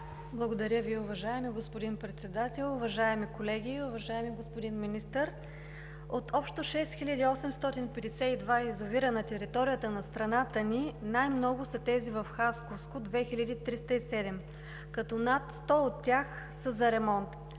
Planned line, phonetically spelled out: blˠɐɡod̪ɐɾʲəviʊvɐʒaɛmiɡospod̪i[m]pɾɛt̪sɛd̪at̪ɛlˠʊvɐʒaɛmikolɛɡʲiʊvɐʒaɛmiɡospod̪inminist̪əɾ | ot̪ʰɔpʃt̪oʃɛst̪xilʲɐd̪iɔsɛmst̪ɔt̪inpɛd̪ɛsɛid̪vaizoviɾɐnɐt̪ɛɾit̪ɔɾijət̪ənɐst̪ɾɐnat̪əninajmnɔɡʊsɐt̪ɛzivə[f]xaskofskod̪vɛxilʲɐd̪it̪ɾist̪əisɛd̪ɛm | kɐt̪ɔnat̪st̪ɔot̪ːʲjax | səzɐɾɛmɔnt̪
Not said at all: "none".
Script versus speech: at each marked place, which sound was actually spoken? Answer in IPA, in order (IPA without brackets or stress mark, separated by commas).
n, f